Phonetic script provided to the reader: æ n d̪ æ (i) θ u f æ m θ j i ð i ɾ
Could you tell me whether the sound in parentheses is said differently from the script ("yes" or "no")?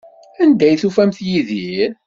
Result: yes